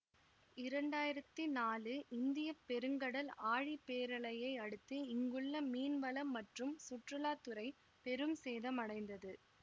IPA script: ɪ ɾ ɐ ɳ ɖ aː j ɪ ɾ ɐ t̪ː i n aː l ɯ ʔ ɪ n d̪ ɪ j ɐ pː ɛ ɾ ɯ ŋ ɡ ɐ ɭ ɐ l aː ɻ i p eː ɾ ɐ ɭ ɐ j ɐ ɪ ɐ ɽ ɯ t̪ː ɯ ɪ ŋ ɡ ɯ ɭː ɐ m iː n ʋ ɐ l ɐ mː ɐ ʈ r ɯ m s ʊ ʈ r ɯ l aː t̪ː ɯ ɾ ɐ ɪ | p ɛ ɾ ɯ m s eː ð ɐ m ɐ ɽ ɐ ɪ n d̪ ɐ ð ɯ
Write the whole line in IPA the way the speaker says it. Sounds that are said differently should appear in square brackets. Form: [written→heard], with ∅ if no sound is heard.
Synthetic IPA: ɪ ɾ ɐ ɳ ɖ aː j ɪ ɾ ɐ t̪ː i n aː l ɯ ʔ ɪ n d̪ ɪ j ɐ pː ɛ ɾ ɯ ŋ ɡ ɐ [ɭ→ɽ] ɐ l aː ɻ i p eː ɾ ɐ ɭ ɐ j ɐ ɪ ɐ ɽ ɯ t̪ː ɯ ɪ ŋ ɡ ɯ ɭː ɐ m iː n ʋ ɐ l ɐ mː ɐ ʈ r ɯ m s ʊ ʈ r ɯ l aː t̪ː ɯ ɾ ɐ ɪ | p ɛ ɾ ɯ m s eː ð ɐ m ɐ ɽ ɐ ɪ n d̪ ɐ ð ɯ

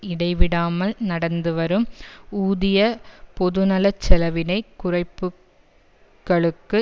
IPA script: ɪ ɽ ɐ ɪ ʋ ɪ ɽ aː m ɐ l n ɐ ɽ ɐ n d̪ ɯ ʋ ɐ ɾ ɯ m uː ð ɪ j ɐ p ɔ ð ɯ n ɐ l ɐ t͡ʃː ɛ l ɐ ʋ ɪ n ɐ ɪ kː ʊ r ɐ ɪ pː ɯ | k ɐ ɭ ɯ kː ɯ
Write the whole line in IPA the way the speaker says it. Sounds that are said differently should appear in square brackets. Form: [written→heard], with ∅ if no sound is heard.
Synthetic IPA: ɪ ɽ ɐ ɪ ʋ ɪ ɽ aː m ɐ l n ɐ ɽ ɐ n d̪ ɯ ʋ ɐ ɾ ɯ m uː ð ɪ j ɐ p ɔ ð ɯ n ɐ l ɐ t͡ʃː ɛ l ɐ ʋ ɪ n ɐ ɪ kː ʊ r ɐ ɪ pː ɯ | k ɐ ɭ ɯ kː ɯ

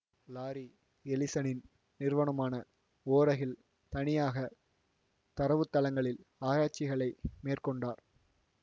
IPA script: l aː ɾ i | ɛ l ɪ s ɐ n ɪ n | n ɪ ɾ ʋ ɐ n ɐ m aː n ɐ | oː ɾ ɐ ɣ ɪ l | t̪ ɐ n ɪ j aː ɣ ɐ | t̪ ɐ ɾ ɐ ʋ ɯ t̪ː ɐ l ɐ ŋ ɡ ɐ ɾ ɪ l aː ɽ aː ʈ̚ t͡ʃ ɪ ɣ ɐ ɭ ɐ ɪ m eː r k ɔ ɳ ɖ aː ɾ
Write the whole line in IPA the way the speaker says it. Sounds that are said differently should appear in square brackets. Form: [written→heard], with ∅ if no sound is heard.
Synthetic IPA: l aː ɾ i | ɛ l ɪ s ɐ n ɪ n | n ɪ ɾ ʋ ɐ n ɐ m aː n ɐ | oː ɾ ɐ ɣ ɪ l | t̪ ɐ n ɪ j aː ɣ ɐ | t̪ ɐ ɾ ɐ ʋ ɯ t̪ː ɐ l ɐ ŋ ɡ ɐ [ɾ→ɭ] ɪ l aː [ɽ→ɾ] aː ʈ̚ t͡ʃ ɪ ɣ ɐ ɭ ɐ ɪ m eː r k ɔ ɳ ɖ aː ɾ

